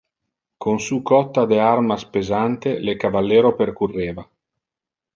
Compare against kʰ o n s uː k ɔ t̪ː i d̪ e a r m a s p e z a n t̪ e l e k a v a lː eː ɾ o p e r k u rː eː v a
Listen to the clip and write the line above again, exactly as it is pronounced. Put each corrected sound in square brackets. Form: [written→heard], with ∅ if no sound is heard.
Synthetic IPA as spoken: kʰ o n s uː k ɔ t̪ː [i→a] d̪ e a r m a s p e z a n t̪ e l e k a v a lː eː ɾ o p e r k u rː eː v a